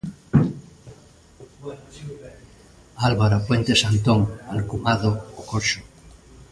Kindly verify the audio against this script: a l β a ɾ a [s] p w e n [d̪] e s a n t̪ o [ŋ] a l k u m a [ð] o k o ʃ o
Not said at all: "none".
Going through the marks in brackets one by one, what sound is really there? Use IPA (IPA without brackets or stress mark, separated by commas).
none, t̪, ŋ, ð